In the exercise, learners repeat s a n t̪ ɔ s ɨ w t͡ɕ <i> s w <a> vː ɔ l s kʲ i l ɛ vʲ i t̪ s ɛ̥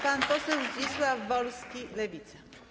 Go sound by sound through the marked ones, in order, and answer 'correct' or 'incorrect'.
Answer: correct, correct

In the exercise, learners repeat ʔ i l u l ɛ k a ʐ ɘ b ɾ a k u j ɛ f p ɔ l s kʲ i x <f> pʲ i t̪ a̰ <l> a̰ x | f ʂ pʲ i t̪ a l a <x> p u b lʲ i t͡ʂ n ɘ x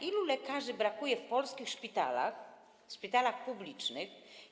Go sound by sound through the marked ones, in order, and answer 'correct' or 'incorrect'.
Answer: incorrect, correct, correct

